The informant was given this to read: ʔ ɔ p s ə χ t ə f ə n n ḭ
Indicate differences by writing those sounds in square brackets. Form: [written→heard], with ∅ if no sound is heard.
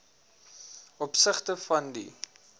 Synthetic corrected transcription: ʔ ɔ p s ə χ t ə f [ə→ɐ] n [n→d] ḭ